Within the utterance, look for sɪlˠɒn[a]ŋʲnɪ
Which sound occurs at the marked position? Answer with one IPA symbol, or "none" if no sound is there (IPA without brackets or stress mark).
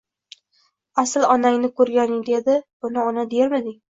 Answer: a